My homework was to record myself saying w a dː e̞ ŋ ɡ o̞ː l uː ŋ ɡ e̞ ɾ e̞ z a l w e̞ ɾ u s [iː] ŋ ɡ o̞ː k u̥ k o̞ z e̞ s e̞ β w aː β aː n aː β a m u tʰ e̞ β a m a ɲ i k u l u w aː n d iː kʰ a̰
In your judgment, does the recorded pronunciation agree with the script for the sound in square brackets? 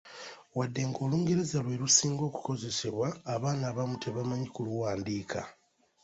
yes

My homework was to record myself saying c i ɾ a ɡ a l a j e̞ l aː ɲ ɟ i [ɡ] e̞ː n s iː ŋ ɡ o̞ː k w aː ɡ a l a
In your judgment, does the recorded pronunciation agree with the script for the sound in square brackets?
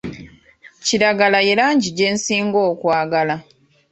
no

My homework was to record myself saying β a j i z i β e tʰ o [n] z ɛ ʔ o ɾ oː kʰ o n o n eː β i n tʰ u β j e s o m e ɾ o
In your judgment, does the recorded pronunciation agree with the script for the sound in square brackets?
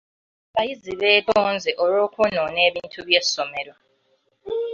yes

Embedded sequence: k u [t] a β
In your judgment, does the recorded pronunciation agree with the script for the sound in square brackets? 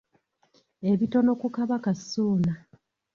no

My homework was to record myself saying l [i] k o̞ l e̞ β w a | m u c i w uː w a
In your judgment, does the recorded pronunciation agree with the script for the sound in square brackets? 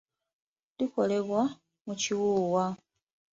yes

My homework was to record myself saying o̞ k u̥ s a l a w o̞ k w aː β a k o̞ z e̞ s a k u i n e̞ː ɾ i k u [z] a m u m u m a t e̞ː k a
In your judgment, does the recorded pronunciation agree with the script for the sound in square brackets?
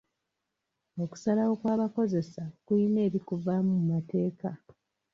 no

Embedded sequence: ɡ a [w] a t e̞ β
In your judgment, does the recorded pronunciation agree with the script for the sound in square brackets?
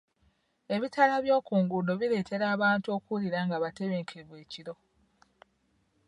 no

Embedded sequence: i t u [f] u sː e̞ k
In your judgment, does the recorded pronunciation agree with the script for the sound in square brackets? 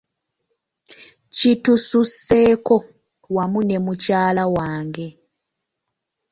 no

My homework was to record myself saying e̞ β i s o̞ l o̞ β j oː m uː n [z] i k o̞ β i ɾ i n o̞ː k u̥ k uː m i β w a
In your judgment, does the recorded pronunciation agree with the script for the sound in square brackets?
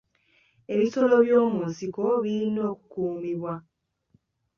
no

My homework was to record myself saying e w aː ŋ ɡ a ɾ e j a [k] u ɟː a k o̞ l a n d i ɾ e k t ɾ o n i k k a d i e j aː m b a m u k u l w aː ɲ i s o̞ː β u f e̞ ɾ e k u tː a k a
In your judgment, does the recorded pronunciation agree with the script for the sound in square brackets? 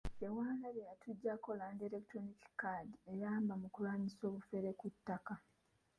no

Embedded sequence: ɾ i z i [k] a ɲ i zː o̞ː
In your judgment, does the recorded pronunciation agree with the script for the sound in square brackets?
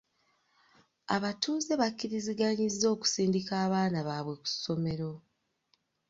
no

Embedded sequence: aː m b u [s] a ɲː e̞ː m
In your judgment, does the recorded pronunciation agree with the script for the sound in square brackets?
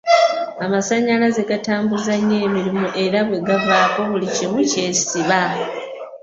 no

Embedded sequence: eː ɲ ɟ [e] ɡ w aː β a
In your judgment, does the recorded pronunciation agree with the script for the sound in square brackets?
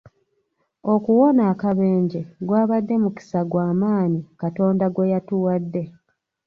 yes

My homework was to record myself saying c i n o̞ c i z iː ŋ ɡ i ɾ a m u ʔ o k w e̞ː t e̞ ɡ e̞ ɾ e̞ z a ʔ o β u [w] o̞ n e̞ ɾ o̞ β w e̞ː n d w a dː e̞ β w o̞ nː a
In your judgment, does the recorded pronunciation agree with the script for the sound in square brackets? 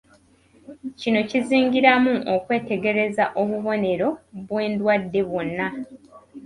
no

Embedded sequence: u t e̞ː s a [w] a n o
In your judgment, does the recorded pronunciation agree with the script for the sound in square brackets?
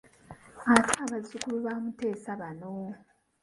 no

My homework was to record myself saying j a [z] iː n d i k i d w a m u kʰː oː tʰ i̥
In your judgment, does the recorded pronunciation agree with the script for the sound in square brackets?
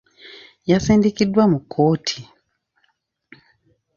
no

